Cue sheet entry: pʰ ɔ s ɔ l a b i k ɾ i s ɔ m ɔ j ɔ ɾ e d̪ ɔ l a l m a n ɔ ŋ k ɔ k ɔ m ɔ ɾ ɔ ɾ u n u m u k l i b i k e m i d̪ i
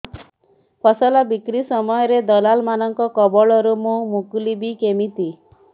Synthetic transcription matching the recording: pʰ ɔ s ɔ l a b i k ɾ i s ɔ m ɔ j ɔ ɾ e d̪ ɔ l a l m a n ɔ ŋ k ɔ k ɔ b ɔ ɭ ɔ ɾ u m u m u k l i b i k e m i t̪ i